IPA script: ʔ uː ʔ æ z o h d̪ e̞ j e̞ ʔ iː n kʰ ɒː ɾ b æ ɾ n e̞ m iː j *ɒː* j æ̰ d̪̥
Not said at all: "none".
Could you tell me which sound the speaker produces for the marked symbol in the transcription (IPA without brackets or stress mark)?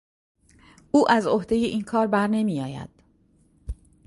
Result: ɒː